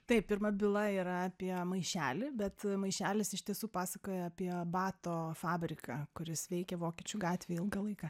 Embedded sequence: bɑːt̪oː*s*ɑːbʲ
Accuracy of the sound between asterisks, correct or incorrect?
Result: incorrect